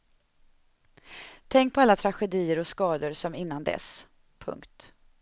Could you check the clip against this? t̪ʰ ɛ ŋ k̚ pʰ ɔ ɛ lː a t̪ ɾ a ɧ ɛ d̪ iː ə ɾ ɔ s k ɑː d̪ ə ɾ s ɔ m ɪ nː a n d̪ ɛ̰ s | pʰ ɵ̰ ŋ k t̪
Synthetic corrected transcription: t̪ʰ ɛ ŋ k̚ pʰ ɔ a lː a t̪ʰ ɾ a ɧ ɛ d̪ iː ə ɾ ɔ s k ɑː d̪ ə ɾ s ɔ m ɪ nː a n d̪ ɛ̰ s | pʰ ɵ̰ ŋ k t̪